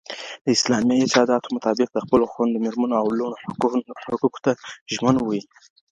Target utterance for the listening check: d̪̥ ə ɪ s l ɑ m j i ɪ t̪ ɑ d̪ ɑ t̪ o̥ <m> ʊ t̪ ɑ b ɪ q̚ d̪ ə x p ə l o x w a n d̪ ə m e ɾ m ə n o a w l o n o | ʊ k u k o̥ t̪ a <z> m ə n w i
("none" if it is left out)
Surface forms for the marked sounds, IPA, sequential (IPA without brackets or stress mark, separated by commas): m, ʒ